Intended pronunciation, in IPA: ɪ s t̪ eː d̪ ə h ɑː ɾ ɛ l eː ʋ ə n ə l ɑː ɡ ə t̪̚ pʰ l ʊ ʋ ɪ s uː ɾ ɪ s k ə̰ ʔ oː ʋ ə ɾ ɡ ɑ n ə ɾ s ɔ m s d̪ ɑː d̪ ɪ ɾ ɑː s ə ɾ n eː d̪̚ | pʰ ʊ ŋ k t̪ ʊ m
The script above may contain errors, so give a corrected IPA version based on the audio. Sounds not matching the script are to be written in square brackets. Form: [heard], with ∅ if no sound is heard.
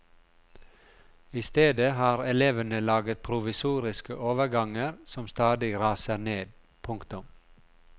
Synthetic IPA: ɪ s t̪ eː d̪ ə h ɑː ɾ ɛ l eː ʋ ə n ə l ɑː ɡ ə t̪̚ pʰ [ɾ] ʊ ʋ ɪ s uː ɾ ɪ s k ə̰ ʔ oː ʋ ə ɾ ɡ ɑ [ŋ] ə ɾ s ɔ m s [t̪] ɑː d̪ ɪ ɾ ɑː s ə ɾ n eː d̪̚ | pʰ ʊ ŋ k t̪ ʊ m